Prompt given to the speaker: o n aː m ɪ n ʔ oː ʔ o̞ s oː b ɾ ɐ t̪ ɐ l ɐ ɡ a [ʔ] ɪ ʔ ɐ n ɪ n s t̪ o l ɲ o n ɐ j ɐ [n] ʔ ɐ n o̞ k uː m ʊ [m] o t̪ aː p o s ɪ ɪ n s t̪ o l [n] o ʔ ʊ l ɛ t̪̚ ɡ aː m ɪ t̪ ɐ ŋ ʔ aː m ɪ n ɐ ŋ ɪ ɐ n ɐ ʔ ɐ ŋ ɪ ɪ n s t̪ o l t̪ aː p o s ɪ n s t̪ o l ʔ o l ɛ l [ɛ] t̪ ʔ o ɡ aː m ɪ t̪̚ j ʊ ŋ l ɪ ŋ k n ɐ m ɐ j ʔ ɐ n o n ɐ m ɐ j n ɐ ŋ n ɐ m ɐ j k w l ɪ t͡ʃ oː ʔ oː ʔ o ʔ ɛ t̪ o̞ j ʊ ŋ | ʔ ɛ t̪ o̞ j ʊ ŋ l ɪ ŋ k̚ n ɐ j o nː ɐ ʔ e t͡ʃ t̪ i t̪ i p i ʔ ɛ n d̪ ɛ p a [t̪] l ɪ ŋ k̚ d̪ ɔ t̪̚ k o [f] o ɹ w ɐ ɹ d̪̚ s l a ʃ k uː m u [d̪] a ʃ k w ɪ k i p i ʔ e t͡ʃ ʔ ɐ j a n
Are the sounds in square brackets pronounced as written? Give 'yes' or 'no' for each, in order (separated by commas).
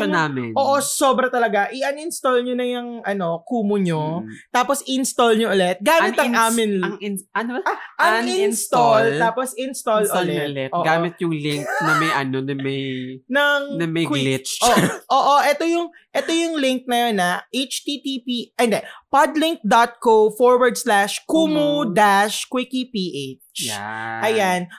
yes, no, no, no, yes, no, yes, yes